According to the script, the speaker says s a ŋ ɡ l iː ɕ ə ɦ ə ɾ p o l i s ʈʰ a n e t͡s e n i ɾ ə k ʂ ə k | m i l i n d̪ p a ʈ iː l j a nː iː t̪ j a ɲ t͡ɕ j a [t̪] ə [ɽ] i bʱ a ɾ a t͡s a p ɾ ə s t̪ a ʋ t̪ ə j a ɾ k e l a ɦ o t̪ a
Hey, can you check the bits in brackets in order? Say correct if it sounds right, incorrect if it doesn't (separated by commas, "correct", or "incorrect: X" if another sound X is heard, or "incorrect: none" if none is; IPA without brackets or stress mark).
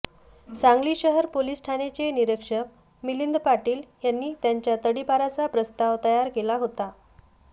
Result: correct, correct